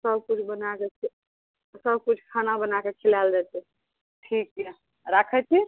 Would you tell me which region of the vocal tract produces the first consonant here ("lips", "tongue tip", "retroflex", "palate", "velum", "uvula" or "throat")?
tongue tip